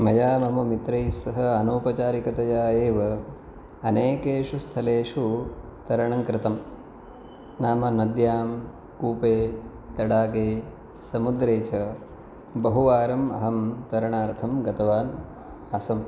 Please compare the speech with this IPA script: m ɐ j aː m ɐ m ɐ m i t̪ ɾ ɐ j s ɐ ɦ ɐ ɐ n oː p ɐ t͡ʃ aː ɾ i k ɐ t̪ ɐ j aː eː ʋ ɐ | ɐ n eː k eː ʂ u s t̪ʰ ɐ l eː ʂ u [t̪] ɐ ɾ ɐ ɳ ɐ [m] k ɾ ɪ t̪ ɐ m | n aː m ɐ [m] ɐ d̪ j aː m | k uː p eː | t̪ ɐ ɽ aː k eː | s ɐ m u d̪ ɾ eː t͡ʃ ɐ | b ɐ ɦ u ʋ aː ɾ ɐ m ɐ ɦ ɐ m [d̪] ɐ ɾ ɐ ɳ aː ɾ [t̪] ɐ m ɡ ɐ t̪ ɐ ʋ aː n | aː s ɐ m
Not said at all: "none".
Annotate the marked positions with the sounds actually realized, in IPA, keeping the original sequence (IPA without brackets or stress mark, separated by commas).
t̪, ŋ, n, t̪, t̪ʰ